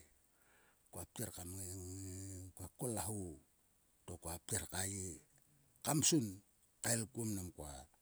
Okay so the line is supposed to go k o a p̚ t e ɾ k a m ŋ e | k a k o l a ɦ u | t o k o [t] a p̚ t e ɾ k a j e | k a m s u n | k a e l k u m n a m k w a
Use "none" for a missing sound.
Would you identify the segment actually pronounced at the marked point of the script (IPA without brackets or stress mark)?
none